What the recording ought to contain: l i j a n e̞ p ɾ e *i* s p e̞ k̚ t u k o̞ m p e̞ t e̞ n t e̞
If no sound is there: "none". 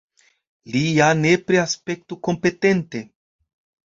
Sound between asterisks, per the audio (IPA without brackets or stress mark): a